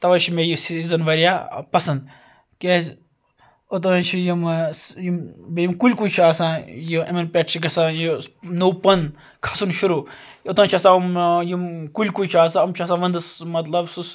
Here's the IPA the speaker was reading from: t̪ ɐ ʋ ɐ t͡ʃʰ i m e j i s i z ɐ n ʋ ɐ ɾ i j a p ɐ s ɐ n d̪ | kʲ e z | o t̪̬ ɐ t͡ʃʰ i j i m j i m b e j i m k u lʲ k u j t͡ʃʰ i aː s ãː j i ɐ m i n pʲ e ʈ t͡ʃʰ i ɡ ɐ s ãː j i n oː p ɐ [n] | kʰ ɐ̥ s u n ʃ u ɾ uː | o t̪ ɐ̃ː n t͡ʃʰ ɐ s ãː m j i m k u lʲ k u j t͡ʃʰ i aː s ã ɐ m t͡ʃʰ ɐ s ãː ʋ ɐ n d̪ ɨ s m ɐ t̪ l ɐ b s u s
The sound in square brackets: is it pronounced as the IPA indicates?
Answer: yes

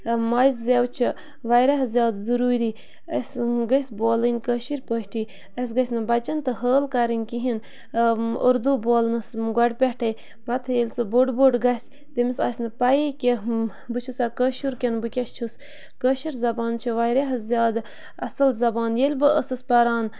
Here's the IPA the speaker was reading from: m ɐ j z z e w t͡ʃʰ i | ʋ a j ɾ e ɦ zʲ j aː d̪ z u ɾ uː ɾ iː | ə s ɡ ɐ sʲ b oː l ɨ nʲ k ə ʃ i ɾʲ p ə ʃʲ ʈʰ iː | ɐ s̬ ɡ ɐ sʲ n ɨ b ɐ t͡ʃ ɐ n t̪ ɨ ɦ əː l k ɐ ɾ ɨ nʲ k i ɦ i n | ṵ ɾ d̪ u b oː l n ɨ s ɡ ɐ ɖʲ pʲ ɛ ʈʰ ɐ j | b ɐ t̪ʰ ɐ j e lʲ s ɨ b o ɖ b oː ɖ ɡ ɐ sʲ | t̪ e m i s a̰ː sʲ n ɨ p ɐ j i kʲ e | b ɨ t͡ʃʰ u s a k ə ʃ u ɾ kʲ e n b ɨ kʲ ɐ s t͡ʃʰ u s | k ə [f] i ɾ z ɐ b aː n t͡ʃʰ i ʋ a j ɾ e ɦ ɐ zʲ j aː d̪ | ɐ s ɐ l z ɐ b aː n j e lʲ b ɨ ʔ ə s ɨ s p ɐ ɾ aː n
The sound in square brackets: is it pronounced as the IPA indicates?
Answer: no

